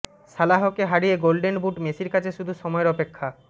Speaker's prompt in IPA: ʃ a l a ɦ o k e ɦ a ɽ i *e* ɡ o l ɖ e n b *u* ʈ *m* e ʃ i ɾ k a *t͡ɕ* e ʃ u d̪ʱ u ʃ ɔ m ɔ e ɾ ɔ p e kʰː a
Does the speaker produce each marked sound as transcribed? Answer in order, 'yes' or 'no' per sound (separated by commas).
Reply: yes, yes, yes, no